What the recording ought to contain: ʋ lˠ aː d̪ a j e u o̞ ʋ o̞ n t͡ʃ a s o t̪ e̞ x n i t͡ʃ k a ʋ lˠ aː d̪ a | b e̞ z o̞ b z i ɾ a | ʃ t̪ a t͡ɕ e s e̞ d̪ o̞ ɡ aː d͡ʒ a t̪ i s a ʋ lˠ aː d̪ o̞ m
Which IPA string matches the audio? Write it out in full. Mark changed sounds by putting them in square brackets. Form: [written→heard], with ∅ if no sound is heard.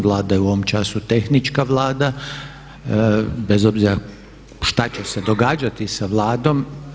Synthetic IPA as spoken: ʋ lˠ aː d̪ a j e u o̞ ʋ o̞ [n→m] t͡ʃ a s [o→u] t̪ e̞ x n i t͡ʃ k a ʋ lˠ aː d̪ a | b e̞ z o̞ b z i ɾ a | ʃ t̪ a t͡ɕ e s e̞ d̪ o̞ ɡ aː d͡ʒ a t̪ i s a ʋ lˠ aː d̪ o̞ m